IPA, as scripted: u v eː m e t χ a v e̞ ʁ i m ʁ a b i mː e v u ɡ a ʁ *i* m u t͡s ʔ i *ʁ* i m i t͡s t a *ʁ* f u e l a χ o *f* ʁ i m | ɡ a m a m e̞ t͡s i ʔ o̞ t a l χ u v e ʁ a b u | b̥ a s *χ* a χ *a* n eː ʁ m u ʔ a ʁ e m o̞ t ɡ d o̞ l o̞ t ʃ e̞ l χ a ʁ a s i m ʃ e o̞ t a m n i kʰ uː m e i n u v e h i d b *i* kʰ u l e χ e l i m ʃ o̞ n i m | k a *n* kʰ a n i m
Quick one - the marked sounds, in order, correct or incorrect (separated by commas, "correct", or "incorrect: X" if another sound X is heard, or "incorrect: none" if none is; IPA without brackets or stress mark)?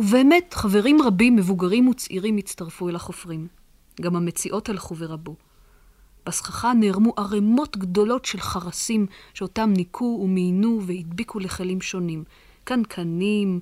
correct, correct, correct, correct, correct, correct, correct, correct